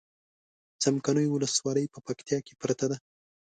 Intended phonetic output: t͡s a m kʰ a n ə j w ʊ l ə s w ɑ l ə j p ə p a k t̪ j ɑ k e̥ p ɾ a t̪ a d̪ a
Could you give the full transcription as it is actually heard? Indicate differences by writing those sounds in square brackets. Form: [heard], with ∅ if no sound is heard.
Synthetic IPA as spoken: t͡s a m [k] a n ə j w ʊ l ə s w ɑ l ə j p ə p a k t̪ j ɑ k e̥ p ɾ a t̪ a d̪ a

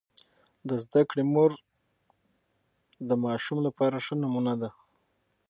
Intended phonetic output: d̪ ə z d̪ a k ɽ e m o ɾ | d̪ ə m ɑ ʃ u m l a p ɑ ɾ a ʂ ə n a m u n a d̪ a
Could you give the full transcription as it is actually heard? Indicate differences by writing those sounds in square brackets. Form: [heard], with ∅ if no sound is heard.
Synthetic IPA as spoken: d̪ ə z d̪ a k ɽ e m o ɾ | d̪ ə m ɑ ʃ u m l a p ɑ ɾ a ʂ ə n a m u n a d̪ a

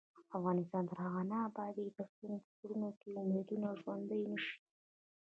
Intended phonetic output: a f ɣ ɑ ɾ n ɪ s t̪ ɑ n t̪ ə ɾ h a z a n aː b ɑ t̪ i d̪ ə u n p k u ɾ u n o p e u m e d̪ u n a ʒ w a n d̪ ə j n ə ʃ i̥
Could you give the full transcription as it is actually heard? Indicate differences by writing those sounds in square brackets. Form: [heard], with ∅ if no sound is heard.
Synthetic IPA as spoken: a f ɣ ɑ [∅] n ɪ s t̪ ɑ n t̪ ə ɾ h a [ɣ] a n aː b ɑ [d̪] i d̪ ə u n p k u ɾ u n o [k] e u m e d̪ u n a ʒ w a n d̪ ə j n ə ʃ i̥

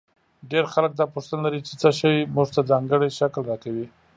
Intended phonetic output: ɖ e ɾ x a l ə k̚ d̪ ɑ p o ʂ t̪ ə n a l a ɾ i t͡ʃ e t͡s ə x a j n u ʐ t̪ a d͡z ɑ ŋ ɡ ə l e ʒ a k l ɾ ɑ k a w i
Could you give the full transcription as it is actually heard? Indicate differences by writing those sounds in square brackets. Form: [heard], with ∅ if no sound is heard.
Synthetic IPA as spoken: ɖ e ɾ x a l ə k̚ d̪ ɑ p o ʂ t̪ ə n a l a ɾ i t͡ʃ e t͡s ə [ʃ] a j [m] u ʐ t̪ a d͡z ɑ ŋ ɡ ə [ɽ] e [ʃ] a k l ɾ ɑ k a w i

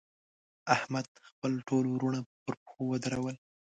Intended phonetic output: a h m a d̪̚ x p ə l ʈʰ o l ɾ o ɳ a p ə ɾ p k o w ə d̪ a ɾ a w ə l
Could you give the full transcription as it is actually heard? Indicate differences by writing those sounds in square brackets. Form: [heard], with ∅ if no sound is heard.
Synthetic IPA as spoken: a h m a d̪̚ x p ə l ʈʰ o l ɾ [u] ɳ a p ə ɾ p [x] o w ə d̪ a ɾ a w ə l

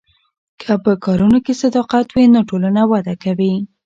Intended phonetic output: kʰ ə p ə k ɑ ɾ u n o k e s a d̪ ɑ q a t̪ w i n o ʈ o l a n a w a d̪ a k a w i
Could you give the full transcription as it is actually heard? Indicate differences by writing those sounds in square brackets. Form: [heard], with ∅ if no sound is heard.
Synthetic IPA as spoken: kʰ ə p ə k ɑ ɾ u n o k e s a d̪ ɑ q a t̪ w i n o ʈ o l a n a w a d̪ a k a w i

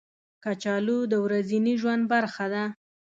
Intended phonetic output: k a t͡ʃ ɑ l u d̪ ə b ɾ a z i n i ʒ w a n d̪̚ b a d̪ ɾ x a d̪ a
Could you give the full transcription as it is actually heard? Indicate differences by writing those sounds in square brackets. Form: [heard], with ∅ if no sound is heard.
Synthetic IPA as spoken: k a t͡ʃ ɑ l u d̪ ə [w] ɾ a z i n i ʒ w a n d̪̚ b a [∅] ɾ x a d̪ a

